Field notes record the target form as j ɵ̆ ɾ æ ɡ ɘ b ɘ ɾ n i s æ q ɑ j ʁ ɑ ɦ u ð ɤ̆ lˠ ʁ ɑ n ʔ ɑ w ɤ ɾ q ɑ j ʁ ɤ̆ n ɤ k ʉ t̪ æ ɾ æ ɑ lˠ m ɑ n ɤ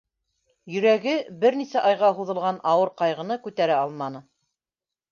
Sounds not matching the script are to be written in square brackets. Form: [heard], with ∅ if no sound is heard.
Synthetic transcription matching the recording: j ɵ̆ ɾ æ ɡ ɘ b ɘ ɾ n i s æ [ʔ] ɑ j ʁ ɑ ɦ u ð ɤ̆ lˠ ʁ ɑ n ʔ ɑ w ɤ ɾ q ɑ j ʁ ɤ̆ n ɤ k ʉ t̪ æ ɾ æ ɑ lˠ m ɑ n ɤ